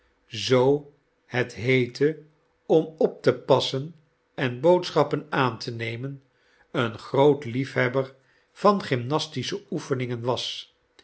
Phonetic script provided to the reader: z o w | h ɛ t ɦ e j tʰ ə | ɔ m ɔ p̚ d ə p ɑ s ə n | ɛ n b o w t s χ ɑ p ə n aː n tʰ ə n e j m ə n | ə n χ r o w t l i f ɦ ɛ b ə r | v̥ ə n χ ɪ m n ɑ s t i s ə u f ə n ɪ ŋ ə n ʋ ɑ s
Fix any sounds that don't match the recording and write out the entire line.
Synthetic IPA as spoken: z o w | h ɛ t ɦ e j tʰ ə | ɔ m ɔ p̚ t ə p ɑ s ə n | ɛ n b o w t s χ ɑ p ə n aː n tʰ ə n e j m ə n | ə n χ r o w t l i f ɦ ɛ b ə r | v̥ ɑ n χ ɪ m n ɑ s t i s ə u f ə n ɪ ŋ ə n ʋ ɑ s